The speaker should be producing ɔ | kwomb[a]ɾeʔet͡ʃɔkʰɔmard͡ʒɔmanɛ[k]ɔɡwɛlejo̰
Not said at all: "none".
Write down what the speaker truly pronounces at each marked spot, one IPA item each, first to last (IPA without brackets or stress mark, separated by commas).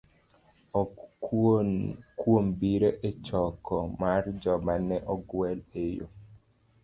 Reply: i, ʔ